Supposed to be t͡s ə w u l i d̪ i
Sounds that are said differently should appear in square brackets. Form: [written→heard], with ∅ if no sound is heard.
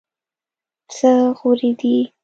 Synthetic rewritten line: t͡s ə [w→ɣ] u [l→ɾ] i d̪ i